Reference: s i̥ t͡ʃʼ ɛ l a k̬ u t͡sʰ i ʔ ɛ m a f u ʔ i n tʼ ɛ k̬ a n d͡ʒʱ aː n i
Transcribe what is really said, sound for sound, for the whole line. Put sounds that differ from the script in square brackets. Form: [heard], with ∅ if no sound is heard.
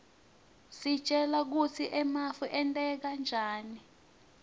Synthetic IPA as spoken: s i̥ t͡ʃʼ ɛ l a k̬ u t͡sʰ i ʔ ɛ m a f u ʔ [ɛ] n tʼ ɛ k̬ a n d͡ʒʱ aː n i